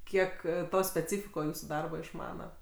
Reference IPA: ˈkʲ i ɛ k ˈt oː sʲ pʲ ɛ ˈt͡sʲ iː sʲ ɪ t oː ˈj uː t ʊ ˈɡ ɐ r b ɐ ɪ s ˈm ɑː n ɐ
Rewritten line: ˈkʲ i ɛ k ˈt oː sʲ pʲ ɛ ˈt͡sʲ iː fʲ ɪ k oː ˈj uː s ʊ ˈd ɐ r b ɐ ɪ ʃ ˈm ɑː n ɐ